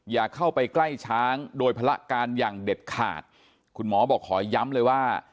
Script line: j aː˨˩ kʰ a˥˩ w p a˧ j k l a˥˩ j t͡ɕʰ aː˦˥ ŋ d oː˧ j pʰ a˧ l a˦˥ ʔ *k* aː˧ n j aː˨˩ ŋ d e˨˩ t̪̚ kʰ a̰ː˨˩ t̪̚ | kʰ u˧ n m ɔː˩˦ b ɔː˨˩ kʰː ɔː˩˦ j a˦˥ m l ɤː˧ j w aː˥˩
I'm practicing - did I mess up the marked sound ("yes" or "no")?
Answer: no